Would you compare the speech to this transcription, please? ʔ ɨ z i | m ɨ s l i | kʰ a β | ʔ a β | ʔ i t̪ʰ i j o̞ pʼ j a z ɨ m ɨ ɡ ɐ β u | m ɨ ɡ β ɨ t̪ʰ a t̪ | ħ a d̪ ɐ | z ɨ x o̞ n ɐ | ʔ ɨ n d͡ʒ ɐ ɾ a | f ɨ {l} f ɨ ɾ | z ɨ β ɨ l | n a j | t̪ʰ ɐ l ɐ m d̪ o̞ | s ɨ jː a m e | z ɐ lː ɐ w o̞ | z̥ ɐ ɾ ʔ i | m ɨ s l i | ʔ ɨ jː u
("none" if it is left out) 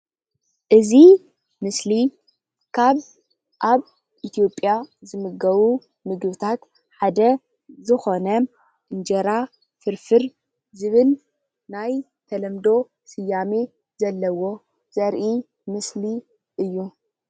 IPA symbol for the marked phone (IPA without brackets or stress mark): ɾ